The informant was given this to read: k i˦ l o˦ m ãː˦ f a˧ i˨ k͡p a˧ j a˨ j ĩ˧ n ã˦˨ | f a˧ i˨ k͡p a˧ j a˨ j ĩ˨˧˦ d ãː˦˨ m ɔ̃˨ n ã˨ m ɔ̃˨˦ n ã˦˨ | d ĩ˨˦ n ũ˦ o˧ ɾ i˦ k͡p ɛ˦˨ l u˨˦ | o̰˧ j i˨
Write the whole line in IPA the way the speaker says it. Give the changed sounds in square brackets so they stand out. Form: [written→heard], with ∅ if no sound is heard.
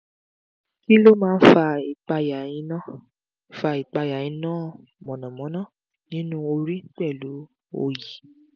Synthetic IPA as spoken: k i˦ l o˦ m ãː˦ f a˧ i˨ k͡p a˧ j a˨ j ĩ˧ n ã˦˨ | f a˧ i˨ k͡p a˧ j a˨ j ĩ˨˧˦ [d→n] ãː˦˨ m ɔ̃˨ n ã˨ m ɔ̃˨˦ n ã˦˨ | [d→n] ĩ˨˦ n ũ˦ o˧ ɾ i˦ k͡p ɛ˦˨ l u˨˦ | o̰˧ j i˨